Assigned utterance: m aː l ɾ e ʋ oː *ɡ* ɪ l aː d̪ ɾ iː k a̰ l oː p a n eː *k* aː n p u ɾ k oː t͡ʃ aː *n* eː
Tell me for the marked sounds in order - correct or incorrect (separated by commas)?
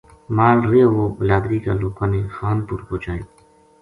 incorrect, incorrect, incorrect